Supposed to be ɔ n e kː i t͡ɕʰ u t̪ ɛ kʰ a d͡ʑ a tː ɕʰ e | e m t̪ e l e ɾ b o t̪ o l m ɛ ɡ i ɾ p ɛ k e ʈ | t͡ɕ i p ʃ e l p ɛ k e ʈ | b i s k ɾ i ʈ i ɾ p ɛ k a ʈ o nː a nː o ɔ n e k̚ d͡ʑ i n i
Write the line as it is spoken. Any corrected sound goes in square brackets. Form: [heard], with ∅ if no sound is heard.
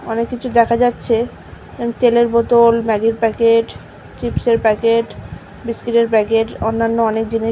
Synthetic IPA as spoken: ɔ n e kː i t͡ɕʰ u [d̪] ɛ kʰ a d͡ʑ a tː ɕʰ e | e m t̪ e l e ɾ b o t̪ o l m ɛ ɡ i ɾ p ɛ k e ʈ | t͡ɕ i p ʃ e [ɾ] p ɛ k e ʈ | b i s k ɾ i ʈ [e] ɾ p ɛ k [e] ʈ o nː a nː o ɔ n e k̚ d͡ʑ i n i

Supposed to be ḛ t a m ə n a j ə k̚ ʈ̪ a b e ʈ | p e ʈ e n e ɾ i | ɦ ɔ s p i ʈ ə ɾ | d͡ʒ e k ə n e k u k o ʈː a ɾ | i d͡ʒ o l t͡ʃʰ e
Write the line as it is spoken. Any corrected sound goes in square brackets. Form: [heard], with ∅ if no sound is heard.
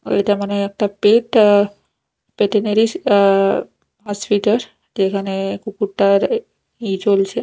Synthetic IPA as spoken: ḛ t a m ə n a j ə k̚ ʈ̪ a [p] e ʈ | p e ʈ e n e ɾ i | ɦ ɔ s p i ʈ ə ɾ | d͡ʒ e k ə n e k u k [u] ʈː a ɾ | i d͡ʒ o l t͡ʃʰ e

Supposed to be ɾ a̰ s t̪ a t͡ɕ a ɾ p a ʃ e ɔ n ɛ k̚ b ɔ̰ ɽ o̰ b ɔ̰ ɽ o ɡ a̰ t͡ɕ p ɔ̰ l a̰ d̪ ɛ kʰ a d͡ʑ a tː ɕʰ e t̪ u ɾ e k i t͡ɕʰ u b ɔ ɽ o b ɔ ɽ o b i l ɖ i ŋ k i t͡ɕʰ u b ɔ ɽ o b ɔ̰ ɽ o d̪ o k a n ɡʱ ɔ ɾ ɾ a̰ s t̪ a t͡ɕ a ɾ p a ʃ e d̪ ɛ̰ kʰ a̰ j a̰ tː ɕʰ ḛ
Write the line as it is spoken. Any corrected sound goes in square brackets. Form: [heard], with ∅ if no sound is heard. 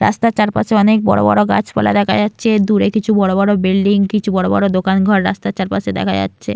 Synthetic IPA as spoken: ɾ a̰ s t̪ a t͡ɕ a ɾ p a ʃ e ɔ n [e] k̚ b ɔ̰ ɽ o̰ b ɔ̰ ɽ o ɡ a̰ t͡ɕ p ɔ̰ l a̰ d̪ ɛ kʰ a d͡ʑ a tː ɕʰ e [d̪] u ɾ e k i t͡ɕʰ u b ɔ ɽ o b ɔ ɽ o b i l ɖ i ŋ k i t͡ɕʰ u b ɔ ɽ o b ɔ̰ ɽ o d̪ o k a n ɡʱ ɔ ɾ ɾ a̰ s t̪ a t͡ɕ a ɾ p a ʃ e d̪ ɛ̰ kʰ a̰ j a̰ tː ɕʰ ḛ

